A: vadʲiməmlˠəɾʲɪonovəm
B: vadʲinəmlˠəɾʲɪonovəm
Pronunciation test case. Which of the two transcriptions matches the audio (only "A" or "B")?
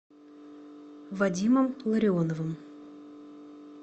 A